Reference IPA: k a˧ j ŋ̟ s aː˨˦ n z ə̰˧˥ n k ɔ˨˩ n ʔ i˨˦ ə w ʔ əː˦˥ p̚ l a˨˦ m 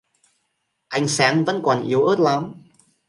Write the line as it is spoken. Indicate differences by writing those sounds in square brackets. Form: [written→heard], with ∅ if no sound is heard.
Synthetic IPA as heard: [k→ʔ] a˧ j ŋ̟ s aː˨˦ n [z→v] ə̰˧˥ n k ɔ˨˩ n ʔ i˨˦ ə w ʔ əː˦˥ [p̚→t̚] l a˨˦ m